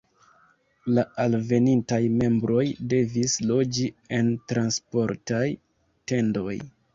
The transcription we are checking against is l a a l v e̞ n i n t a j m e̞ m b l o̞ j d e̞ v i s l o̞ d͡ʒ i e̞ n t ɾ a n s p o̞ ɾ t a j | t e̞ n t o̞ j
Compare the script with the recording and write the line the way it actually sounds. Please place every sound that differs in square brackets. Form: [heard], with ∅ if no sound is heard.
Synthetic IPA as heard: l a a l v e̞ n i n t a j m e̞ m b [ɾ] o̞ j d e̞ v i s l o̞ d͡ʒ i e̞ n t ɾ a n s p o̞ ɾ t a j | t e̞ n [d] o̞ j